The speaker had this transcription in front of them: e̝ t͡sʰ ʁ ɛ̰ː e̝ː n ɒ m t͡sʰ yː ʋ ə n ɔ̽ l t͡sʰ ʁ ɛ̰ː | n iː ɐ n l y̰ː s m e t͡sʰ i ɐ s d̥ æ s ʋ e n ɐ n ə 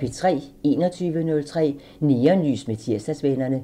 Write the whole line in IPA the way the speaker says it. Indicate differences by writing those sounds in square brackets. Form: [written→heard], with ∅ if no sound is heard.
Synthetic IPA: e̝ t͡sʰ ʁ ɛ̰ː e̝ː n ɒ [m→∅] t͡sʰ yː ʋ ə n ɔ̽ l t͡sʰ ʁ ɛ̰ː | n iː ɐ n l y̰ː s m e t͡sʰ i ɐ s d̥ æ s ʋ e n ɐ n ə